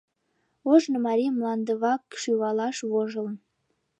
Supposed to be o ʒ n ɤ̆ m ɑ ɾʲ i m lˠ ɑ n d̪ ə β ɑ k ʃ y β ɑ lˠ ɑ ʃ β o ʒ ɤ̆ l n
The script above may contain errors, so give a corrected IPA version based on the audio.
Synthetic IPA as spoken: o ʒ n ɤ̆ m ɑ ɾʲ i m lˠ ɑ n d̪ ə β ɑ k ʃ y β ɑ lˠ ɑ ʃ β o ʒ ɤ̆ l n